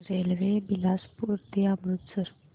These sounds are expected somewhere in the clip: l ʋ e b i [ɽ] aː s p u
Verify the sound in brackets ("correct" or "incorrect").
incorrect